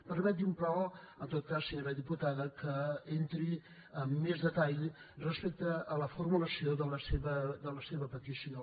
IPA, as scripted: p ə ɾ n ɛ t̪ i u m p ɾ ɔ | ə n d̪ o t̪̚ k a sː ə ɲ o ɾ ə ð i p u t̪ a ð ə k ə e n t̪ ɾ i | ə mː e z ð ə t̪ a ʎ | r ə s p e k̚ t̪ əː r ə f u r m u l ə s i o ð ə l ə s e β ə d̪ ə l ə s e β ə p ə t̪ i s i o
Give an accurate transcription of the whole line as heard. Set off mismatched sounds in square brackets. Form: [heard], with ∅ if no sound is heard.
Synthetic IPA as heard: p ə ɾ [m] ɛ t̪ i u m p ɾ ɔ | ə n [t̪] o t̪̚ k a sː ə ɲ o ɾ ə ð i p u t̪ a ð ə k ə e n t̪ ɾ i | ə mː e z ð ə t̪ a ʎ | r ə s p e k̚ t̪ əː [l] ə f u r m u l ə s i o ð ə l ə s e β ə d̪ ə l ə s e β ə p ə t̪ i s i o